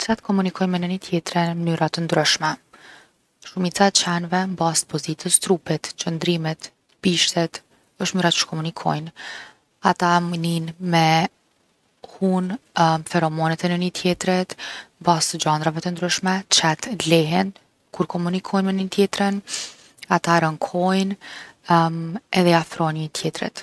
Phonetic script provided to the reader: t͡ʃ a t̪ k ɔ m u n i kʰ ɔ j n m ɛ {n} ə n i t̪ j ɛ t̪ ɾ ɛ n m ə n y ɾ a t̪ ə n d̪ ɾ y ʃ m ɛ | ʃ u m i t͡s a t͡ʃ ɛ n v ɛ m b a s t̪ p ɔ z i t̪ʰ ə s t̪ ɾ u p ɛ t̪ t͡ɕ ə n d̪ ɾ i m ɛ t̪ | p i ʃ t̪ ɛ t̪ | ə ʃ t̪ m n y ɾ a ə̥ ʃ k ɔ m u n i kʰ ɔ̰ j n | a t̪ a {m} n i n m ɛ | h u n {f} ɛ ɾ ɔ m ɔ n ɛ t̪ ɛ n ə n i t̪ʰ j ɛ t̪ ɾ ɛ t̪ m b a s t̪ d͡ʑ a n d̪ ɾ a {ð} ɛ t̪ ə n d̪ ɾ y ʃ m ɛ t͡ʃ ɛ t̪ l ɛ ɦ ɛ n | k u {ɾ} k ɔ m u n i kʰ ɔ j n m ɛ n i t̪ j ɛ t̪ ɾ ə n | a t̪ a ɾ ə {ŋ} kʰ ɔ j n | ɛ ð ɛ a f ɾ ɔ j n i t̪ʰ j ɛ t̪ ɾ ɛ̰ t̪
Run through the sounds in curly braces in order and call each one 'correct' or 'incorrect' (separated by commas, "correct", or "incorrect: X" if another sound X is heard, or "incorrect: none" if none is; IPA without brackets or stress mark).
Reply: correct, correct, correct, incorrect: v, correct, correct